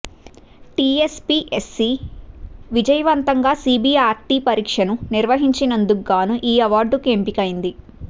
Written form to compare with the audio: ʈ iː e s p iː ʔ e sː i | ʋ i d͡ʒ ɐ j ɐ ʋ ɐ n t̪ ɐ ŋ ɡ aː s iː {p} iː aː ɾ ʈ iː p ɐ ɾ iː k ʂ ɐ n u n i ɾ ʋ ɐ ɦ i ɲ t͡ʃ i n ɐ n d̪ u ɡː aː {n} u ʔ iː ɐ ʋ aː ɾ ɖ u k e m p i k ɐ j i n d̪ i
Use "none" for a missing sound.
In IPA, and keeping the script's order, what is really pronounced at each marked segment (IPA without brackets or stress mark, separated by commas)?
b, n